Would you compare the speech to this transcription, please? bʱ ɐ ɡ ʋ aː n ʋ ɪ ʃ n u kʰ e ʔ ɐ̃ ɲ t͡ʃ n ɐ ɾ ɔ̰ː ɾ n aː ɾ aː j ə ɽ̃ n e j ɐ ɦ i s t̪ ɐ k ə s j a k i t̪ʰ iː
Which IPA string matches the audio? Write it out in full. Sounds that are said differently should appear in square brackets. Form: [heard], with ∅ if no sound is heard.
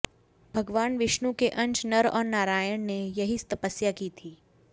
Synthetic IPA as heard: bʱ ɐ ɡ ʋ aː n ʋ ɪ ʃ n u [k] e ʔ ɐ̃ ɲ t͡ʃ n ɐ ɾ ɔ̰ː ɾ n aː ɾ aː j ə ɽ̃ n e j ɐ ɦ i s t̪ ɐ [p] ə s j a k i t̪ʰ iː